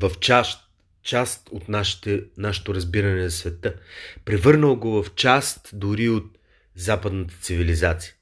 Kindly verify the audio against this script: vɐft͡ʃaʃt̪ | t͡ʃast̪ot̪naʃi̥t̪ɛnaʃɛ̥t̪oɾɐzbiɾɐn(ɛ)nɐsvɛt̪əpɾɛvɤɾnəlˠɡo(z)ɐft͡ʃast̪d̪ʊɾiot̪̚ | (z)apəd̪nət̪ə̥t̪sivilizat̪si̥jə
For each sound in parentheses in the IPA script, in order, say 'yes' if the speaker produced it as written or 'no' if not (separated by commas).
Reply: yes, no, yes